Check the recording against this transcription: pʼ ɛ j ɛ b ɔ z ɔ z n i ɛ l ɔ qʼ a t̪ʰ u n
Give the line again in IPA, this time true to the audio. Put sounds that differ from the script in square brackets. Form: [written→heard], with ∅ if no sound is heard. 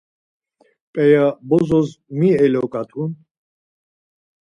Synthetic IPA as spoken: pʼ ɛ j [ɛ→a] b ɔ z ɔ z [n→m] i ɛ l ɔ [qʼ→kʼ] a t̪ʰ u n

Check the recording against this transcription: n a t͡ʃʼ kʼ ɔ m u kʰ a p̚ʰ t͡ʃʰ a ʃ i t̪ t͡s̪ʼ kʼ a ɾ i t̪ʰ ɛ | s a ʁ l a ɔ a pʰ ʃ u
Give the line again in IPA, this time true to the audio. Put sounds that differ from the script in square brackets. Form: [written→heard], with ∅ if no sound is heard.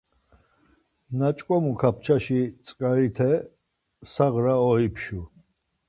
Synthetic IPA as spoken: n a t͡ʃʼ kʼ ɔ m u kʰ a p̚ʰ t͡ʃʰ a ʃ i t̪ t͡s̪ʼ kʼ a ɾ i t̪ʰ ɛ | s a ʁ [l→ɾ] a ɔ [a→i] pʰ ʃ u

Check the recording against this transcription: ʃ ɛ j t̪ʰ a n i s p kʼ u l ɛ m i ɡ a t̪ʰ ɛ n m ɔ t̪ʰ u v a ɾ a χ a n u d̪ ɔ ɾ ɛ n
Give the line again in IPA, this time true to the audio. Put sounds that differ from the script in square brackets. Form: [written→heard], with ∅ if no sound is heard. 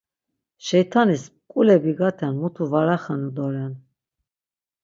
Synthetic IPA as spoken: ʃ ɛ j t̪ʰ a n i s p kʼ u l ɛ [m→b] i ɡ a t̪ʰ ɛ n m [ɔ→u] t̪ʰ u v a ɾ a χ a n u d̪ ɔ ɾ ɛ n

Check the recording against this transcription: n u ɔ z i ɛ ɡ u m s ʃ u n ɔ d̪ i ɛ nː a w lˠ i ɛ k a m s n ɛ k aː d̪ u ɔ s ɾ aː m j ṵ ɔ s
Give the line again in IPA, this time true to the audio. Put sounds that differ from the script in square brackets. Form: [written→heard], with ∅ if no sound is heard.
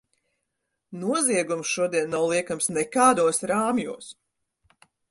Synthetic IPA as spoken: n u ɔ z i ɛ ɡ u m s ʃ u [n→∅] ɔ d̪ i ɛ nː a w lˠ i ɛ k a m s n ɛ k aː d̪ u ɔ s ɾ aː m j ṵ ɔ s

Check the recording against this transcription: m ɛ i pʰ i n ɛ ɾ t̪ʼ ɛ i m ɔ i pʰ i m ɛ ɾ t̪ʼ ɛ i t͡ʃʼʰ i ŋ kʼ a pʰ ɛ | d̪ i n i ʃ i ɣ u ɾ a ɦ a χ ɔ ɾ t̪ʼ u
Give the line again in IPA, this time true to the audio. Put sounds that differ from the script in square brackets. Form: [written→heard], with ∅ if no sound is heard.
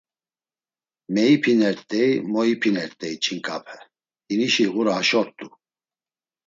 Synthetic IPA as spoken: m ɛ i pʰ i n ɛ ɾ t̪ʼ ɛ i m ɔ i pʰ i [m→n] ɛ ɾ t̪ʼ ɛ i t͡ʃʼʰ i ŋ kʼ a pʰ ɛ | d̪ i n i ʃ i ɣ u ɾ a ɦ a [χ→ʃ] ɔ ɾ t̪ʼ u

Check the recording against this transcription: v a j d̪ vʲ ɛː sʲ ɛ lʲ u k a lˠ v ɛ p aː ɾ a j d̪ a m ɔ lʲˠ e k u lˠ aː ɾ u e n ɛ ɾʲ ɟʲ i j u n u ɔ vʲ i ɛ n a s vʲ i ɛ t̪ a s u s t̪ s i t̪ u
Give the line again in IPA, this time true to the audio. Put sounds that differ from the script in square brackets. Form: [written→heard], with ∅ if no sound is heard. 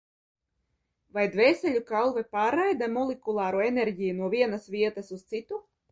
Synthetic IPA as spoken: v a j d̪ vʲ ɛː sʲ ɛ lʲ u k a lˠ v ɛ p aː ɾ a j d̪ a m ɔ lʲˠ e k u lˠ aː ɾ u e n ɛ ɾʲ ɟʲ i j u n u ɔ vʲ i ɛ n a s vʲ i ɛ t̪ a s u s t̪ s i t̪ u

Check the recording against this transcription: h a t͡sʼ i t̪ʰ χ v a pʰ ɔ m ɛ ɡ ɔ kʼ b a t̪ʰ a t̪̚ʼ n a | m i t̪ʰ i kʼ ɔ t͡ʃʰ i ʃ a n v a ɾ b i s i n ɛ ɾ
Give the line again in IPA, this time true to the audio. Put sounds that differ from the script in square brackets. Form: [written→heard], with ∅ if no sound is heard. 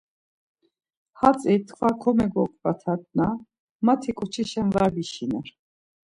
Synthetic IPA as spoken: h a t͡sʼ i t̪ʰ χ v a [pʰ→kʰ] ɔ m ɛ ɡ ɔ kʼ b a t̪ʰ a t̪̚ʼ n a | m [i→a] t̪ʰ i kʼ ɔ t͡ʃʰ i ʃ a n v a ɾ b i [s→ʃ] i n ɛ ɾ

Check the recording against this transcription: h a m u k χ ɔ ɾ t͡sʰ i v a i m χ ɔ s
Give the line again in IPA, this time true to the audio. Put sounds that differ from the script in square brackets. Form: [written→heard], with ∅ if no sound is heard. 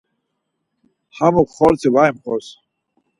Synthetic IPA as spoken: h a m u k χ ɔ ɾ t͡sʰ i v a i m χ ɔ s

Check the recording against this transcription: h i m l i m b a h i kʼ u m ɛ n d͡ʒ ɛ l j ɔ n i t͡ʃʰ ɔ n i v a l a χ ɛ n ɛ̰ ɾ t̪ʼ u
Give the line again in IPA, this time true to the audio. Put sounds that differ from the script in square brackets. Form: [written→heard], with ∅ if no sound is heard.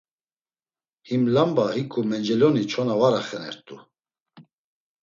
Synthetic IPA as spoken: h i m l [i→a] m b a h i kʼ u m ɛ n d͡ʒ ɛ l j ɔ n i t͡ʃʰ ɔ n [i→a] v a [l→ɾ] a χ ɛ n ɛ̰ ɾ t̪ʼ u

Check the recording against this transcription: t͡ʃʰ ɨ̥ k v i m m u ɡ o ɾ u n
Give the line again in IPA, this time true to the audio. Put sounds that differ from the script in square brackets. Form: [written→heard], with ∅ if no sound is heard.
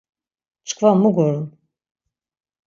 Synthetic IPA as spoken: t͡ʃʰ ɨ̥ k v [i→a] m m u ɡ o ɾ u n

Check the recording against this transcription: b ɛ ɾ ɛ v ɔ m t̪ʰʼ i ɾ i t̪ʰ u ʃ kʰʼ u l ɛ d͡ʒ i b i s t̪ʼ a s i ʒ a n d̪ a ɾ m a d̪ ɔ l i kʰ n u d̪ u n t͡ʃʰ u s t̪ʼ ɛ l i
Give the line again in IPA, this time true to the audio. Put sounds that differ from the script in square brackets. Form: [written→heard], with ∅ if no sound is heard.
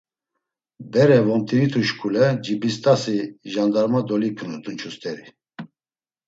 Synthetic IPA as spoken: b ɛ ɾ ɛ v ɔ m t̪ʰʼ i ɾ i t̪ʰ u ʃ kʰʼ u l ɛ d͡ʒ i b i s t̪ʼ a s i ʒ a n d̪ a ɾ m a d̪ ɔ l i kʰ n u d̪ u n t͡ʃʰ u s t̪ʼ ɛ [l→ɾ] i

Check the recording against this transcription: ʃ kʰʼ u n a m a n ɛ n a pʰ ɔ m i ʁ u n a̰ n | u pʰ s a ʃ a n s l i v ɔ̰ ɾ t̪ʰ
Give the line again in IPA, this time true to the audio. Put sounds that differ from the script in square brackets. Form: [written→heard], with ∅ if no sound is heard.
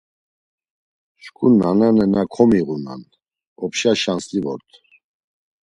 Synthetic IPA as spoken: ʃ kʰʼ u n a [m→n] a n ɛ n a [pʰ→kʰ] ɔ m i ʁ u n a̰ n | [u→ɔ] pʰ [s→ʃ] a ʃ a n s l i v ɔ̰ ɾ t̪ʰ

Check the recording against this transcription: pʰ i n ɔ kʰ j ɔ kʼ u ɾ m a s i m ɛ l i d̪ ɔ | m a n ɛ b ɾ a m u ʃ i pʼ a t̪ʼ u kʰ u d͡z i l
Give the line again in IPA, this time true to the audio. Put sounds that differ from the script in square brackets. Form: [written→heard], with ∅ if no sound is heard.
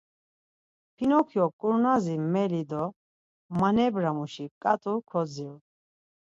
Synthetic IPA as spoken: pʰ i n ɔ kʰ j ɔ kʼ u ɾ [m→n] a [s→z] i m ɛ l i d̪ ɔ | m a n ɛ b ɾ a m u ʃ i [pʼ→kʼ] a t̪ʼ u kʰ [u→ɔ] d͡z i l

